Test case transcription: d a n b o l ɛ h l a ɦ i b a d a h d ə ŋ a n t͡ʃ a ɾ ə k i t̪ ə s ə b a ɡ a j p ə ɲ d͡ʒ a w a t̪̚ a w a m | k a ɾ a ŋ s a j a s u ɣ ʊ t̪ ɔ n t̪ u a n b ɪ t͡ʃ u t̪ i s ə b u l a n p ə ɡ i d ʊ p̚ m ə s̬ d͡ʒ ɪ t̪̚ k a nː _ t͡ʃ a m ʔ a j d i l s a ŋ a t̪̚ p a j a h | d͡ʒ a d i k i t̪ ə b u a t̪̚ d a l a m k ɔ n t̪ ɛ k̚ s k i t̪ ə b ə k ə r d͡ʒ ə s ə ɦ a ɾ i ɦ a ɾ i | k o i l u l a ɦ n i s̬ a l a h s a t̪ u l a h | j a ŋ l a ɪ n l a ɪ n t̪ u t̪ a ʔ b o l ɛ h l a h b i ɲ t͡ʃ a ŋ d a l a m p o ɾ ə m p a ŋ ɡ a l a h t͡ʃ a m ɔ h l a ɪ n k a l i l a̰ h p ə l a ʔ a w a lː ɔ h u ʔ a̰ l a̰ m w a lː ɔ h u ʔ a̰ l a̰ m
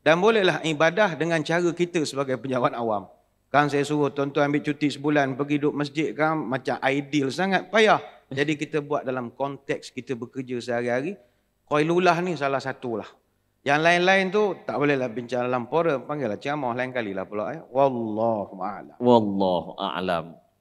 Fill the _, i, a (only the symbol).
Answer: a